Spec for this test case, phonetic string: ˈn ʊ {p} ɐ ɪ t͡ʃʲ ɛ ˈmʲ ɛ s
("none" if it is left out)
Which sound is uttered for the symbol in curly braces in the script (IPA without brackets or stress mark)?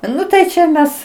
t